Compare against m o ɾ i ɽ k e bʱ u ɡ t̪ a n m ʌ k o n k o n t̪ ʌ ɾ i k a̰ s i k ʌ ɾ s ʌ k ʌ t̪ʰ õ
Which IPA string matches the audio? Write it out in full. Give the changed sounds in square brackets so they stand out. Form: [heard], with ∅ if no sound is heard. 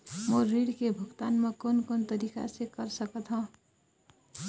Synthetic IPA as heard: m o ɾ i ɽ k e bʱ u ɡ t̪ a n m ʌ k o n k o n t̪ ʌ ɾ i k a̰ s [e] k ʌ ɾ s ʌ k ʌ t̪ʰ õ